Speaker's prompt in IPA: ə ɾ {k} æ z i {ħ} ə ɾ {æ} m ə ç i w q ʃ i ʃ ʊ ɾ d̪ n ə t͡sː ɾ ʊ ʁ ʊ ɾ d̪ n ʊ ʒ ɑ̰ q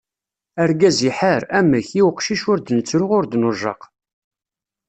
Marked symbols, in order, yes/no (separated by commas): no, yes, yes